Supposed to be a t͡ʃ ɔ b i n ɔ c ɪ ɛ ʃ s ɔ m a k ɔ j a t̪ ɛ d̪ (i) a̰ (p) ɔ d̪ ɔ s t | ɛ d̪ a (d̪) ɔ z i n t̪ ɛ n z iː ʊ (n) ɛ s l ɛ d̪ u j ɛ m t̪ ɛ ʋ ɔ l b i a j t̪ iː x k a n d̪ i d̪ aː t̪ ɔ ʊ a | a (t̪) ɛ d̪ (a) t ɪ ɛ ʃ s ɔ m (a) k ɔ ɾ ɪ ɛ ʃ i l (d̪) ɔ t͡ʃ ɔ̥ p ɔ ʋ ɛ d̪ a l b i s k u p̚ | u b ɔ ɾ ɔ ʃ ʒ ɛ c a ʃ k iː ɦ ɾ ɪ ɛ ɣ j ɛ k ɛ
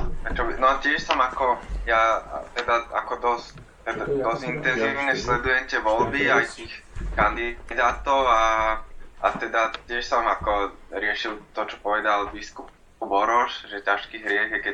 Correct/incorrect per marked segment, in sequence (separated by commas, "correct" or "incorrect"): incorrect, incorrect, correct, incorrect, correct, correct, correct, incorrect